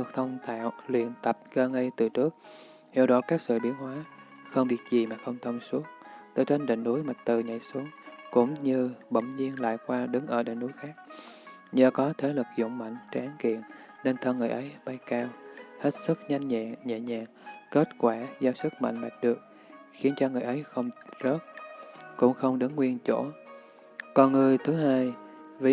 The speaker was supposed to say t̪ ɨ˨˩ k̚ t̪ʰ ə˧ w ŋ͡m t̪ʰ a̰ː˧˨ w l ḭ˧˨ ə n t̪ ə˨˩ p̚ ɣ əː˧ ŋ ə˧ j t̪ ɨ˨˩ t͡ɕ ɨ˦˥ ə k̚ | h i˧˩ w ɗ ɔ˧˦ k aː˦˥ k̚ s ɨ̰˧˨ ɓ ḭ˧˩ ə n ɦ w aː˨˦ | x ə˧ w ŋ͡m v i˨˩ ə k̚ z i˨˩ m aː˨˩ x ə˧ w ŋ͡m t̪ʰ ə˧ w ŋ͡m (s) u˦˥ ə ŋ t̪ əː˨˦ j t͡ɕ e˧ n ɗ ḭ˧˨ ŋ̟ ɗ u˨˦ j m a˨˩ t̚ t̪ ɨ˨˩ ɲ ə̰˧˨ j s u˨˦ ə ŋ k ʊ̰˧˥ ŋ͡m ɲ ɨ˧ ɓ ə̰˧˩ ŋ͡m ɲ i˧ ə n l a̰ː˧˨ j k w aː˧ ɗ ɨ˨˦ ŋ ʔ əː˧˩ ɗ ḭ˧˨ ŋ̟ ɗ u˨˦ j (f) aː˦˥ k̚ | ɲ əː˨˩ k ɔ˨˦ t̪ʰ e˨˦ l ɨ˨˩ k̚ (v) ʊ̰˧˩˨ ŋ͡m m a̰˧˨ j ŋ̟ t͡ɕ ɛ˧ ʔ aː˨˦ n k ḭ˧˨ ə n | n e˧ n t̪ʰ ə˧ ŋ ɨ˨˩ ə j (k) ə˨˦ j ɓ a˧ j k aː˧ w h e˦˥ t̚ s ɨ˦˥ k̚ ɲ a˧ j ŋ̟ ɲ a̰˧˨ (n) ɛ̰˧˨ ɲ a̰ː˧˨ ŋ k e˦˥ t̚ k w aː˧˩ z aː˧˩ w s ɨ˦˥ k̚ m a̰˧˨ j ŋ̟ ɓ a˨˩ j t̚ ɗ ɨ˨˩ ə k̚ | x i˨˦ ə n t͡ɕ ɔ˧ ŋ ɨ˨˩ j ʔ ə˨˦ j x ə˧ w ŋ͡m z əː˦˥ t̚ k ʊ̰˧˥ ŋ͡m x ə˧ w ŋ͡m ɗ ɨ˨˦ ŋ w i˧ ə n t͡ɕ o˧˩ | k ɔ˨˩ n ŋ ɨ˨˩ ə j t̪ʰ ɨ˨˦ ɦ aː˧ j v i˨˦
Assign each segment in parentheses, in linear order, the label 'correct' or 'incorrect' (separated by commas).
correct, incorrect, incorrect, incorrect, incorrect